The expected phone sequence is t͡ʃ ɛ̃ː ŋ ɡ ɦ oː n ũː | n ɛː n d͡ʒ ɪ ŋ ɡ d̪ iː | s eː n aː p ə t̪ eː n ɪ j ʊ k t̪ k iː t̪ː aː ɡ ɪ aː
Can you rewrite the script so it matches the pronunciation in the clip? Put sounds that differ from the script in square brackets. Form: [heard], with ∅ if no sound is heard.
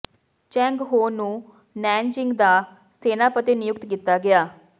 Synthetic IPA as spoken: t͡ʃ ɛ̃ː ŋ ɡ ɦ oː n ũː | n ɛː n d͡ʒ ɪ ŋ ɡ d̪ [aː] | s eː n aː p ə t̪ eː n ɪ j ʊ k t̪ k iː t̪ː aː ɡ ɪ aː